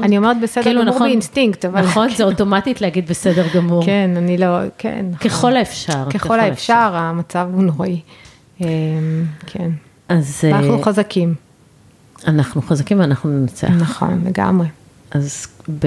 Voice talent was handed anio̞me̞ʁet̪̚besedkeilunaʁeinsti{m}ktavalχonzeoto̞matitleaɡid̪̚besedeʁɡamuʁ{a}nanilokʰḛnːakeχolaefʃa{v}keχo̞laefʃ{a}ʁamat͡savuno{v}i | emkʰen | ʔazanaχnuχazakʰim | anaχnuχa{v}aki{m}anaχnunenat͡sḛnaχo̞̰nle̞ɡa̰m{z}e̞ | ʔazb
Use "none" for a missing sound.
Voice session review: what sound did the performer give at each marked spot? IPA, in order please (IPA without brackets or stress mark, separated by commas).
ŋ, e, ʁ, a, ʁ, z, m, ʁ